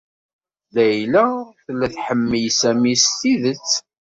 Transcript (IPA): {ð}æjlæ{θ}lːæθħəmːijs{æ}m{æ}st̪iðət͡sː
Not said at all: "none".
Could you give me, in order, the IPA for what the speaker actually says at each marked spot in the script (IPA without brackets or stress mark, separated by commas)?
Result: ð, θ, æ, i